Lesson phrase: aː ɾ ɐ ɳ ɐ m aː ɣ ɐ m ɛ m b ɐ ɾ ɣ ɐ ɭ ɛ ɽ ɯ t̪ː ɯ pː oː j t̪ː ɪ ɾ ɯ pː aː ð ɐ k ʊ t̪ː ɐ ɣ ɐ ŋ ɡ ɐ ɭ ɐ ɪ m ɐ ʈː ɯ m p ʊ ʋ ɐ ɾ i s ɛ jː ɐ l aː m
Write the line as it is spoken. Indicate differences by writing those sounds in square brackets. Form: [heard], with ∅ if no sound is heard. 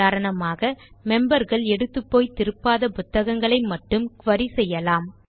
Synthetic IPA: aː ɾ ɐ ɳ ɐ m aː ɣ ɐ m ɛ m b ɐ ɾ ɣ ɐ ɭ ɛ ɽ ɯ t̪ː ɯ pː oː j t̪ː ɪ ɾ ɯ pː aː ð ɐ [p] ʊ t̪ː ɐ ɣ ɐ ŋ ɡ ɐ ɭ ɐ ɪ m ɐ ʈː ɯ m [k] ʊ ʋ ɐ ɾ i s ɛ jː ɐ l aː m